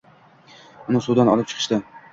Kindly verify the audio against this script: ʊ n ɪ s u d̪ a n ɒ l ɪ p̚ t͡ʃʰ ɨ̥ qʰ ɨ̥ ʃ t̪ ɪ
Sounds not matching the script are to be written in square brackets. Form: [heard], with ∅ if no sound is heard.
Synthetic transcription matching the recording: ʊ n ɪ s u d̪ a n ɒ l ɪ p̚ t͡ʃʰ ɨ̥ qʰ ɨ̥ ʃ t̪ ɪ